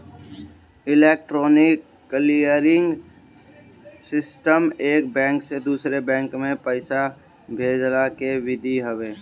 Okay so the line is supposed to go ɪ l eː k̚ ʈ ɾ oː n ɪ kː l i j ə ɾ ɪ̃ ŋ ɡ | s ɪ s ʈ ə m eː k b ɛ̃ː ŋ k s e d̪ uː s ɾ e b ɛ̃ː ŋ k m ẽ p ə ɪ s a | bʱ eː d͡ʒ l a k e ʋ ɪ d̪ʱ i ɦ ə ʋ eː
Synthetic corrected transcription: ɪ l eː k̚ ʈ ɾ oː n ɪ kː l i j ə ɾ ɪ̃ ŋ ɡ | s ɪ s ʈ ə m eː k b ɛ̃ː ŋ k s e d̪ uː s ɾ e b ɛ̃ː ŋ k m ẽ p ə ɪ s a | bʱ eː d͡ʒ l a k e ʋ ɪ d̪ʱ i ɦ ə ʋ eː